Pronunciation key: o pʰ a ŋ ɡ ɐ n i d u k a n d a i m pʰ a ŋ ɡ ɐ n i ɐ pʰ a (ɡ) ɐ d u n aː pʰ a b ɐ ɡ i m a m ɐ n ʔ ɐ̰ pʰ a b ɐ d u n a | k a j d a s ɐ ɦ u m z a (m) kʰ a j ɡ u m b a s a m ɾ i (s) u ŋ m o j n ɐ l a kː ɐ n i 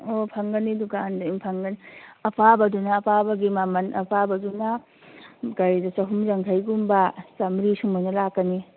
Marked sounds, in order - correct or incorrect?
incorrect, incorrect, correct

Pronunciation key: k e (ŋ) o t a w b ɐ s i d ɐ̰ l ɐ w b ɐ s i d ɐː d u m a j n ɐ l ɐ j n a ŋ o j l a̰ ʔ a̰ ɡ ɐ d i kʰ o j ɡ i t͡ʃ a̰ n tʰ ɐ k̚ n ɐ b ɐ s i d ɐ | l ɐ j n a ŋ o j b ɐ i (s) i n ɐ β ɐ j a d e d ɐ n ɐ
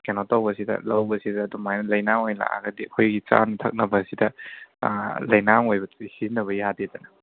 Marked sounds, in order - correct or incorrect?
incorrect, incorrect

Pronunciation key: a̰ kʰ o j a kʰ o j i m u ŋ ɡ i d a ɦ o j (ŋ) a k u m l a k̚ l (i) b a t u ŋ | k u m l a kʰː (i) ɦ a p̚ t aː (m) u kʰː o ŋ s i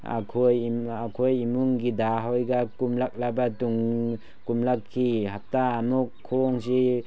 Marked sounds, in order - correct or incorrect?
incorrect, incorrect, correct, correct

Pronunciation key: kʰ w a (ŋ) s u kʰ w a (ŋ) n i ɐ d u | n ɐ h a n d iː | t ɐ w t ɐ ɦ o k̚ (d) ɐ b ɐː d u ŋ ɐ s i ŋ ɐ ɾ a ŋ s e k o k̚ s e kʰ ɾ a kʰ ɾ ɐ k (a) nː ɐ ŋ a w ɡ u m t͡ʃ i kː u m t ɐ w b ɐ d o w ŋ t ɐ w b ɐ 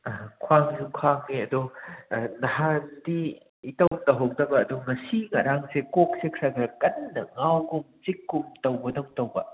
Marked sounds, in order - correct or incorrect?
correct, correct, correct, incorrect

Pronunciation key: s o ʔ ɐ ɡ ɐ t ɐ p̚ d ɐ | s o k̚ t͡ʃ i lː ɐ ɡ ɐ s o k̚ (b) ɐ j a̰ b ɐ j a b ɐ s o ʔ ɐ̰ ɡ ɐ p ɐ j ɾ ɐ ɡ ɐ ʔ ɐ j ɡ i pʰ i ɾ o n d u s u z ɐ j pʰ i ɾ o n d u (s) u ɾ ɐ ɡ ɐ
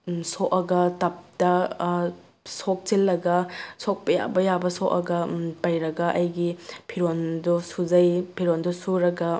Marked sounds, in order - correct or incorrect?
incorrect, correct

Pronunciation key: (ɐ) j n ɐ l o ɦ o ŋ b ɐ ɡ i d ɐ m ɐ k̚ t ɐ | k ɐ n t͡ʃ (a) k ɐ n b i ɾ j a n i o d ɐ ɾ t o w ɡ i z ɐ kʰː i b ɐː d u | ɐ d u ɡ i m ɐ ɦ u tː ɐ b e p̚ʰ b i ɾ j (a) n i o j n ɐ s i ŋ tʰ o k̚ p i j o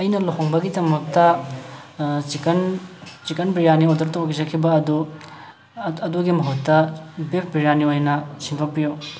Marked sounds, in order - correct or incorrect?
correct, incorrect, correct

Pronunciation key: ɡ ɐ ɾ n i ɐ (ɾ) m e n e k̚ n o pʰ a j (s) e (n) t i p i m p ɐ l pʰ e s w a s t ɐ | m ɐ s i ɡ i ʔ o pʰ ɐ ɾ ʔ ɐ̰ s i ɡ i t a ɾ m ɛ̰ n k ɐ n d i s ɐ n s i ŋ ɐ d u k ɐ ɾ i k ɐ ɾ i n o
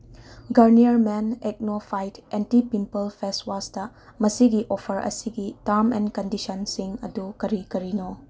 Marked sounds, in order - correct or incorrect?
correct, incorrect, correct

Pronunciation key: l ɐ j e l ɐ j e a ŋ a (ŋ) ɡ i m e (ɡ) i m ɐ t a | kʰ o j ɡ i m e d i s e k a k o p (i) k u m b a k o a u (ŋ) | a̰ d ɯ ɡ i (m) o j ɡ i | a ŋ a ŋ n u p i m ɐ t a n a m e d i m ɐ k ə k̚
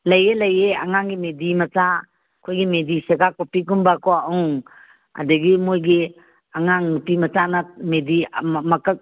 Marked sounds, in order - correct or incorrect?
correct, incorrect, correct, correct, correct

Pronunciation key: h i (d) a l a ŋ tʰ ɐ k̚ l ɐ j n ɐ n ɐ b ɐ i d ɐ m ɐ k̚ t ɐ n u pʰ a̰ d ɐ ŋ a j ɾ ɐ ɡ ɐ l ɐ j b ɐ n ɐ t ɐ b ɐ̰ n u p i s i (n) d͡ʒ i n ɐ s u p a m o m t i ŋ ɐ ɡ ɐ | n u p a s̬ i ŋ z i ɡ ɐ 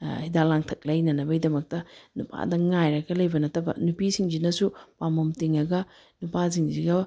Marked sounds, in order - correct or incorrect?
correct, incorrect

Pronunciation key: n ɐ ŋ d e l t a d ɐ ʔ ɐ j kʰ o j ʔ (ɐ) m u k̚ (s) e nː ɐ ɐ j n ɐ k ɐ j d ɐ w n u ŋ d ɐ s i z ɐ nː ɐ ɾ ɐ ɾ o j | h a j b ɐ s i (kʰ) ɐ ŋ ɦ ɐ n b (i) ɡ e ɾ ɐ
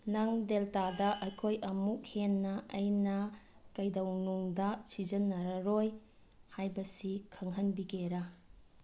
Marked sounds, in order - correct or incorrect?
correct, incorrect, correct, correct

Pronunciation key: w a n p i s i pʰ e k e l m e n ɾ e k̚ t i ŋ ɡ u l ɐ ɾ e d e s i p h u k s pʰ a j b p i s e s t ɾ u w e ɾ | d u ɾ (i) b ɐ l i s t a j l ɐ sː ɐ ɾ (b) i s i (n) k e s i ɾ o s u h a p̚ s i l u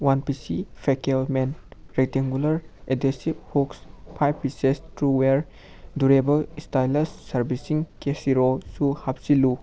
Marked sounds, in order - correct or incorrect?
incorrect, correct, incorrect

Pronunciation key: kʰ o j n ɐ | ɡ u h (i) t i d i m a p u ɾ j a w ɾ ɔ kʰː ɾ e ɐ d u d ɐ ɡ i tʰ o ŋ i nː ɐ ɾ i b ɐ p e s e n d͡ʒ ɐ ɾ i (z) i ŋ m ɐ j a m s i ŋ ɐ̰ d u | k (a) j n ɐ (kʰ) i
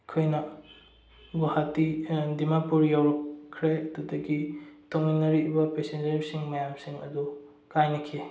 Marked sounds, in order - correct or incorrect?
incorrect, incorrect, correct, correct

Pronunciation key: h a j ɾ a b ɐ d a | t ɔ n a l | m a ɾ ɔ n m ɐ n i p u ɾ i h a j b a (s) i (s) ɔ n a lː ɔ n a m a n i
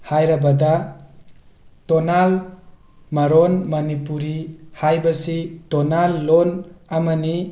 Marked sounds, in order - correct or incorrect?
correct, incorrect

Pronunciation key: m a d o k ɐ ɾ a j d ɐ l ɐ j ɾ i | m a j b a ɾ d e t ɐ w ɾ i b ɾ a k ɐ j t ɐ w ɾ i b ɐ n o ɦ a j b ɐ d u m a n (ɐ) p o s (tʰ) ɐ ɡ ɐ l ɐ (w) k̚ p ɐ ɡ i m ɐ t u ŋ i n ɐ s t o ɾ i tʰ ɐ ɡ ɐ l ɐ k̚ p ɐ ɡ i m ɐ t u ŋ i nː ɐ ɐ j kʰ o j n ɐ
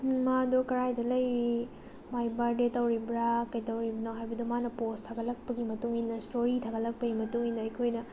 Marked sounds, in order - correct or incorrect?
correct, correct, incorrect

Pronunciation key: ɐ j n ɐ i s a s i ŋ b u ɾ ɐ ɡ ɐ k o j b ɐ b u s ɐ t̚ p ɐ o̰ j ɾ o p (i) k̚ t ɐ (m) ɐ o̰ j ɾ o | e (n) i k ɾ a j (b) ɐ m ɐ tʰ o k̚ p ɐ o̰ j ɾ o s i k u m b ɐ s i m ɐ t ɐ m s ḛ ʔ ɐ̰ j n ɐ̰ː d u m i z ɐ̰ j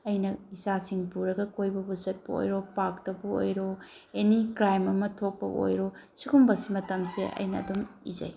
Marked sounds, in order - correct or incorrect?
incorrect, incorrect, correct, incorrect

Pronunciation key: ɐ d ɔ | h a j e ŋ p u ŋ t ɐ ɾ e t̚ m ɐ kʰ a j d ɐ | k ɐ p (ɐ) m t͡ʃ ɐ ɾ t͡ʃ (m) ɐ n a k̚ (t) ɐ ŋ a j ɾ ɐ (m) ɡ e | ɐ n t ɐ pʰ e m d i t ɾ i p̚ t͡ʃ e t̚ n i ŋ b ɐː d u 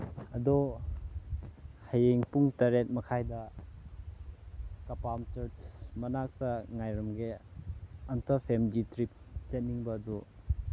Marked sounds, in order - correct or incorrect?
incorrect, correct, correct, correct

